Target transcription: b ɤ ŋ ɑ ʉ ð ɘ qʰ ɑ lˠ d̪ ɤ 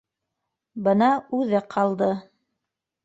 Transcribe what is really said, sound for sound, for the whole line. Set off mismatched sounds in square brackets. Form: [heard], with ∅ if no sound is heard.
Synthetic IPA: b ɤ [n] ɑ ʉ ð ɘ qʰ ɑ lˠ d̪ ɤ